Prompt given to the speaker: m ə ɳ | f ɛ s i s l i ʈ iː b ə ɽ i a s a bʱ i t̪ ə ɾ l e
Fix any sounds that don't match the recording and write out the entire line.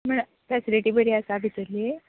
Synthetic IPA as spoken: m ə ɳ | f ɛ s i l i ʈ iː b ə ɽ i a s a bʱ i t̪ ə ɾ l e